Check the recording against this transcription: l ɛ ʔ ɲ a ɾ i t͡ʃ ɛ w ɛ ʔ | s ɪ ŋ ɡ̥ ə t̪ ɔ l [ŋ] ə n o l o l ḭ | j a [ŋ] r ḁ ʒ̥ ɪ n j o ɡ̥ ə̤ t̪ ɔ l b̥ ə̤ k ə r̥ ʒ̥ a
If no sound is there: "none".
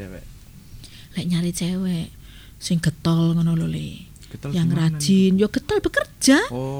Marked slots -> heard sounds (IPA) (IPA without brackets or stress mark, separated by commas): ŋ, ŋ